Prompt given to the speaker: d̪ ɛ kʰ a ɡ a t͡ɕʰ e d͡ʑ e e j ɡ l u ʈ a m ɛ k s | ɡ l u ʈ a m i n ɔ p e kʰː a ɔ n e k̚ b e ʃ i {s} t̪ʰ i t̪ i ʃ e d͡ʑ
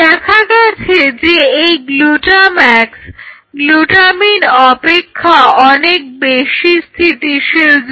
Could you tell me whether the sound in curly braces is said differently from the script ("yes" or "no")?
no